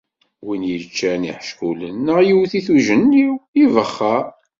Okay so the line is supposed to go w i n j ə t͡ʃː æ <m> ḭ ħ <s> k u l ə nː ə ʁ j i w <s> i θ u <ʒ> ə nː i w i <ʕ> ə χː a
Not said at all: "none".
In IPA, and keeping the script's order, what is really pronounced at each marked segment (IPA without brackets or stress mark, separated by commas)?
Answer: n, ʃ, θ, ʒ, v